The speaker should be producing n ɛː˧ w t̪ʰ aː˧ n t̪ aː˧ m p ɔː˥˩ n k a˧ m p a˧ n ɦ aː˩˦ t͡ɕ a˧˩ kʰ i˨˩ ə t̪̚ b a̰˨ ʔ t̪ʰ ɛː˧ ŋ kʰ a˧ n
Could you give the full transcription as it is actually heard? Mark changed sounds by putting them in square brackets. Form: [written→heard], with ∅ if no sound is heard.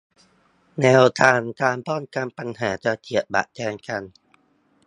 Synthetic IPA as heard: n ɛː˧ w t̪ʰ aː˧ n t̪ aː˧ m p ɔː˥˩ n k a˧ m p a˧ n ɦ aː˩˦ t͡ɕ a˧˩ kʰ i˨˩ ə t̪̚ b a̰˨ ʔ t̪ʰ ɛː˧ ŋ [kʰ→k] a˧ n